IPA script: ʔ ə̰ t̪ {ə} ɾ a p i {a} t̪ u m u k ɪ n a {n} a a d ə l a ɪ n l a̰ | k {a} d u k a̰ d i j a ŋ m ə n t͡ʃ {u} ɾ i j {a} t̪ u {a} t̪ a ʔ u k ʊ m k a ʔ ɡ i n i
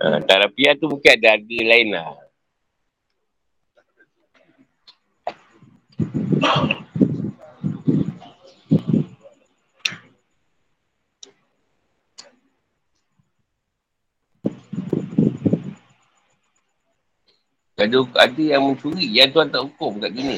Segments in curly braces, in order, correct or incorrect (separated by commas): incorrect, correct, incorrect, correct, correct, correct, correct